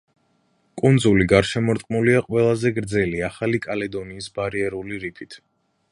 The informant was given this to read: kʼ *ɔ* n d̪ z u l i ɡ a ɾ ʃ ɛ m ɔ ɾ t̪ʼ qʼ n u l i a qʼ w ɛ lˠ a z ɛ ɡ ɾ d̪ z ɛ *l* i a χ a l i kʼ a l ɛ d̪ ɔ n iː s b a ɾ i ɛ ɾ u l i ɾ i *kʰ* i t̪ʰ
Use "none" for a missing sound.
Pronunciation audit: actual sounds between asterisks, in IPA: u, l, pʰ

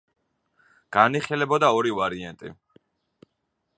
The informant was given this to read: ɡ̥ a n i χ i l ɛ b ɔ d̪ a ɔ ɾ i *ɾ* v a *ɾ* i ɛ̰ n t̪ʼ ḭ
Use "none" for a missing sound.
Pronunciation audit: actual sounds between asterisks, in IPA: none, ɾ

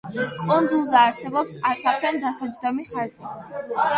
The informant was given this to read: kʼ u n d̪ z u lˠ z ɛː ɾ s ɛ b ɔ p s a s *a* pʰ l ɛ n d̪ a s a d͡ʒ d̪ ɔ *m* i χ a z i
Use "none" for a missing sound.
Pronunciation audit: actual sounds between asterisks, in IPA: a, m

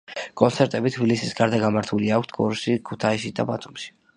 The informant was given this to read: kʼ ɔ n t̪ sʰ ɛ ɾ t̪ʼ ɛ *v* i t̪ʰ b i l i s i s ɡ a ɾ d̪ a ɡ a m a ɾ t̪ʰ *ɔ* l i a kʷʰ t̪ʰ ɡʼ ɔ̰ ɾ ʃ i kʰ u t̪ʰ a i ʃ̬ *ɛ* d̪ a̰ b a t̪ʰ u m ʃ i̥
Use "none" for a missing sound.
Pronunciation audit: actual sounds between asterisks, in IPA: b, u, i

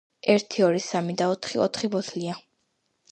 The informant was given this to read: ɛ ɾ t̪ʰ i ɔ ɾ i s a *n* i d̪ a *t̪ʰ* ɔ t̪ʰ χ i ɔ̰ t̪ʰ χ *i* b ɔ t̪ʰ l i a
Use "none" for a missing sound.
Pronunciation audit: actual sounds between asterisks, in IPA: m, none, i

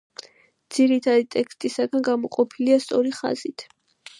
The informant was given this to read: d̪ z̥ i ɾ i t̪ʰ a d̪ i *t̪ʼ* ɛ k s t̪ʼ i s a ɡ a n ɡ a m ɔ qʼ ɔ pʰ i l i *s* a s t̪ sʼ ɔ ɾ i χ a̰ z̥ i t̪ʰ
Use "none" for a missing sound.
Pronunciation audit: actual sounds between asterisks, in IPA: t̪ʼ, none

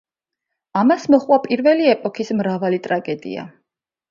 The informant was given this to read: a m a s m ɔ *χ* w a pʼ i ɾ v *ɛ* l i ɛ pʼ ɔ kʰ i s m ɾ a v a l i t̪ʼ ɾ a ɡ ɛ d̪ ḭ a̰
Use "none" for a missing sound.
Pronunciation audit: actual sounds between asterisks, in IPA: χ, ɛ

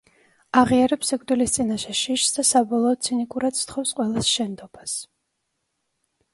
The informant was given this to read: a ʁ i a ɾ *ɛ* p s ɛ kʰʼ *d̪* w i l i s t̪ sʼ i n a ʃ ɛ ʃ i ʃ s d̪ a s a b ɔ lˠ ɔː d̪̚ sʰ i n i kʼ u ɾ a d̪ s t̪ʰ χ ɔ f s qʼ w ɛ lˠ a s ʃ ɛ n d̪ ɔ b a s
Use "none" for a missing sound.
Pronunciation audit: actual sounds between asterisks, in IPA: ɛ, d̪

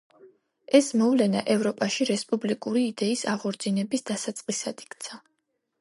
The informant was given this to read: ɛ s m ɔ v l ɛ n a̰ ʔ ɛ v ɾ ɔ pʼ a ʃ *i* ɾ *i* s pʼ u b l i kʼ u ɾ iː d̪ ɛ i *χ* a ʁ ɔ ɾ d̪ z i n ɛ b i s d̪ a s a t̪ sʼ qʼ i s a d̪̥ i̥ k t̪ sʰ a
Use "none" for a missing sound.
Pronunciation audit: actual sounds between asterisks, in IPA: i, ɛ, s

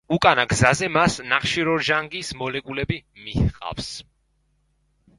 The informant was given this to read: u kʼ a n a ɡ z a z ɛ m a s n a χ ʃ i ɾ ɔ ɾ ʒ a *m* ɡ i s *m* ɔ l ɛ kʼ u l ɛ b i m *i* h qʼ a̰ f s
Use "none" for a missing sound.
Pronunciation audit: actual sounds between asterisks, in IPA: ŋ, m, i

